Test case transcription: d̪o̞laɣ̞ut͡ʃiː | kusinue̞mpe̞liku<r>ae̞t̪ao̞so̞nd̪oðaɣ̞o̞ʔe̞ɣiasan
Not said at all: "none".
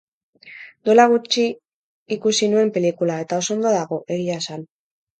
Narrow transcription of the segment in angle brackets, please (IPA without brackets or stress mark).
l